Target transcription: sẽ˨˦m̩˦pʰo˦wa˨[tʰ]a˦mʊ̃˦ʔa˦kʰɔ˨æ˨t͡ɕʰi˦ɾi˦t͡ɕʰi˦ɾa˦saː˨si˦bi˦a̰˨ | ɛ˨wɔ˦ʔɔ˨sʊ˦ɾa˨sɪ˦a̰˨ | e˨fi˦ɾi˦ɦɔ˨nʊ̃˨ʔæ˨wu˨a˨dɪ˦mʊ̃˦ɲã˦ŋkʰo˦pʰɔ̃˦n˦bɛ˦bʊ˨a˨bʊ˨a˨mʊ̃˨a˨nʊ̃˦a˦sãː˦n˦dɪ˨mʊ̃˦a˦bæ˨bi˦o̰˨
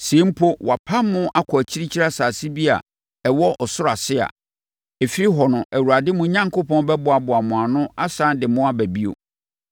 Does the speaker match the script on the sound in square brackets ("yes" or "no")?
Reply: no